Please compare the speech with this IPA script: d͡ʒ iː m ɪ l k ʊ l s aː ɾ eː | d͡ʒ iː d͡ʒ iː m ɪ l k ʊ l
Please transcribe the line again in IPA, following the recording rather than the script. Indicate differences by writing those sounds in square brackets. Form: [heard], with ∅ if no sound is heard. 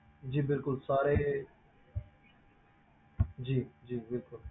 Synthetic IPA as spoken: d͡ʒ iː [b] ɪ l k ʊ l s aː ɾ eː | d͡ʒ iː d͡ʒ iː [b] ɪ l k ʊ l